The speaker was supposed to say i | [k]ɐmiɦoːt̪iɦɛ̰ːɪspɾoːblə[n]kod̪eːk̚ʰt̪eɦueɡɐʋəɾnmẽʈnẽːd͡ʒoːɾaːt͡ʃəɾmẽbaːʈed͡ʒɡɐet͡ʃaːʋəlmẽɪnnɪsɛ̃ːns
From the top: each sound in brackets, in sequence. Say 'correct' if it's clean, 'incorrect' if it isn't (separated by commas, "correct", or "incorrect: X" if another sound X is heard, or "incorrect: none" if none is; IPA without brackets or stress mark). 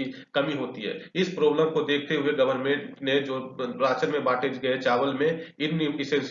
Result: correct, incorrect: m